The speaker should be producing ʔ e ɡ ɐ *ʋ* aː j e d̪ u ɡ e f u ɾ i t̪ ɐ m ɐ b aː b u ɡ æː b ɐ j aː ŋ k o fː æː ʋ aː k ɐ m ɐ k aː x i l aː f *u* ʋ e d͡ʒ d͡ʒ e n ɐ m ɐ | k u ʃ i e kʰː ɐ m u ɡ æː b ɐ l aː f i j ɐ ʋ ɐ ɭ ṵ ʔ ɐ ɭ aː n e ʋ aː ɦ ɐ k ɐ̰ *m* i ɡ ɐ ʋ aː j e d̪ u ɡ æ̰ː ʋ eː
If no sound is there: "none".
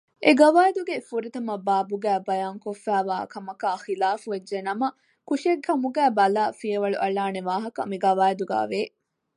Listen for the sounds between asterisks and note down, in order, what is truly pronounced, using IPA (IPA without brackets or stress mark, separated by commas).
ʋ, u, m